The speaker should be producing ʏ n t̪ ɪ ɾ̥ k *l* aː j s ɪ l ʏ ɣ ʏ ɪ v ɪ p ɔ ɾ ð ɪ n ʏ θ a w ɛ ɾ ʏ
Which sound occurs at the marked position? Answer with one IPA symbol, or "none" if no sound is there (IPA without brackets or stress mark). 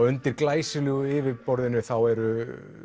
l